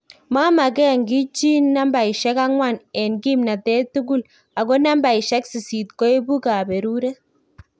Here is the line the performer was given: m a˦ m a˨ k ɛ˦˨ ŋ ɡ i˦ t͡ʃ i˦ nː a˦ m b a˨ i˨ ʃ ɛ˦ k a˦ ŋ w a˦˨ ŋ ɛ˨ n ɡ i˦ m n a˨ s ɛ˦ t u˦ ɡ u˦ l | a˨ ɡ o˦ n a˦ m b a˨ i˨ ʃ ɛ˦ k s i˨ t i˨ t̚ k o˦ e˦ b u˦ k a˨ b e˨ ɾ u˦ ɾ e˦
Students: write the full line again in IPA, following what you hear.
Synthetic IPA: m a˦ m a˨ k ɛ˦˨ ŋ ɡ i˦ t͡ʃ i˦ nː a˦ m b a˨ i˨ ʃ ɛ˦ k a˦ ŋ w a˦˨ n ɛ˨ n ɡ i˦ m n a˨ t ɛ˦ t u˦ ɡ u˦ l | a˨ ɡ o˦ n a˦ m b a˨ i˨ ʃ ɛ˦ k s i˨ s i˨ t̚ k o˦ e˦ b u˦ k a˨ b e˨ ɾ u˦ ɾ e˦